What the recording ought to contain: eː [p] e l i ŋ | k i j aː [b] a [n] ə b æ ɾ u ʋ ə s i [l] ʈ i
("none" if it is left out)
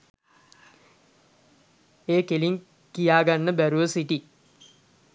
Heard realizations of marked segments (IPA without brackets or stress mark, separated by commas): k, ɡ, nː, none